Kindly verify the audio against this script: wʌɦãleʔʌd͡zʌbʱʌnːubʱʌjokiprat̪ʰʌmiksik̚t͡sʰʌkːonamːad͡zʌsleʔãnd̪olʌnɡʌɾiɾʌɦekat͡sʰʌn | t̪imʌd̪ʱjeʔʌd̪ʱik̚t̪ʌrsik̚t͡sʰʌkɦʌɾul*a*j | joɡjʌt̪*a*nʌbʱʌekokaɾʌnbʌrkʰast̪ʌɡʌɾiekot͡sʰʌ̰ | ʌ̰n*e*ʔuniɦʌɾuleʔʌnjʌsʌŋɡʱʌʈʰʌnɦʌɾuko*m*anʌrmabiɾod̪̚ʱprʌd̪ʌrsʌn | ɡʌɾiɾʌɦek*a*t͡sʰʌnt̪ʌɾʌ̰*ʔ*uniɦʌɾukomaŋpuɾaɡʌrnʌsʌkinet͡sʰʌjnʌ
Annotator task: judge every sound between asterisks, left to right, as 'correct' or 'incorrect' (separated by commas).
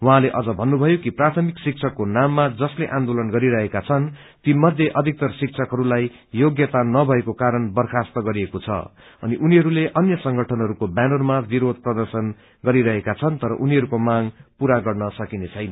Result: correct, correct, incorrect, incorrect, correct, correct